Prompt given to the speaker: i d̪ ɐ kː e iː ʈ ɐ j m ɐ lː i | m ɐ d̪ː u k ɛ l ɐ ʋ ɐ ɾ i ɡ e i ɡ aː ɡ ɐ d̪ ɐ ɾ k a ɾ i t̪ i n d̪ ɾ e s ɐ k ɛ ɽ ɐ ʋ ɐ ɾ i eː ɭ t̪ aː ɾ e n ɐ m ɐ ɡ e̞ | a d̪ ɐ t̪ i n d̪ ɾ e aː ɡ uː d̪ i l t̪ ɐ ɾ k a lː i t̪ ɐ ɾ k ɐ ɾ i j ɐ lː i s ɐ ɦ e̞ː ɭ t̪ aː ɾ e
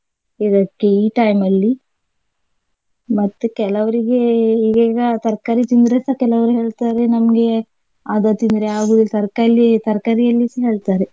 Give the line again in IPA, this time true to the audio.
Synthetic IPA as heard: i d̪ ɐ kː e iː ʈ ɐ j m ɐ lː i | m ɐ t̪ː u k ɛ l ɐ ʋ ɐ ɾ i ɡ e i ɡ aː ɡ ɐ t̪ ɐ ɾ k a ɾ i t̪ i n d̪ ɾ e s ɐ k ɛ l ɐ ʋ ɐ ɾ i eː ɭ t̪ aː ɾ e n ɐ m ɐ ɡ e̞ | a d̪ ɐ t̪ i n d̪ ɾ e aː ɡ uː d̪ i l t̪ ɐ ɾ k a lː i t̪ ɐ ɾ k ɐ ɾ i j ɐ lː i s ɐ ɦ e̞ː ɭ t̪ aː ɾ e